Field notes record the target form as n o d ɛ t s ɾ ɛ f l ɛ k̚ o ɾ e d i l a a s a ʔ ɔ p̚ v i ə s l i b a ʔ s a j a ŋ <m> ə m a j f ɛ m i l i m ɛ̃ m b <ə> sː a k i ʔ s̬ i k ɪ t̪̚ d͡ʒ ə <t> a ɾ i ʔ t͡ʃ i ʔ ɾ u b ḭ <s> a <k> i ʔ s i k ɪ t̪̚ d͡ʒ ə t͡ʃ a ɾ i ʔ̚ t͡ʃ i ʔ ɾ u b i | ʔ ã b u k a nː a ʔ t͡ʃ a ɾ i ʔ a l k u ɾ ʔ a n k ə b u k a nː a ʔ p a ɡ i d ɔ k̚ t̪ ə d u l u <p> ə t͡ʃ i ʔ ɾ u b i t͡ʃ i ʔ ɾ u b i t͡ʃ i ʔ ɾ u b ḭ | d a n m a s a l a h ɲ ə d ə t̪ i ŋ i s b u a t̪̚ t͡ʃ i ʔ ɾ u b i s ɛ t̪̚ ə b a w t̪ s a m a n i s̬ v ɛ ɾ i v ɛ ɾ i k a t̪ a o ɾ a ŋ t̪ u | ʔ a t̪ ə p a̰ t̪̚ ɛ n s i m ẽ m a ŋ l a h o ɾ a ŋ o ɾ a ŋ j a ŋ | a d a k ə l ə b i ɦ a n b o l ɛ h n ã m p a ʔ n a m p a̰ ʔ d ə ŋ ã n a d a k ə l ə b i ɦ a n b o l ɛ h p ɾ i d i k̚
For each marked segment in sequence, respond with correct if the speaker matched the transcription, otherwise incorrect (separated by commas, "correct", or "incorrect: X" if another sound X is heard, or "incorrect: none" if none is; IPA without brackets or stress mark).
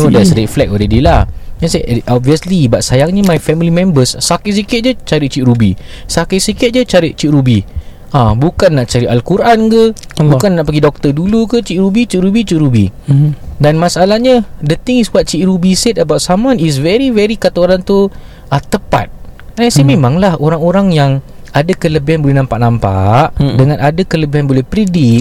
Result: incorrect: ɲ, correct, incorrect: t͡ʃ, correct, correct, incorrect: k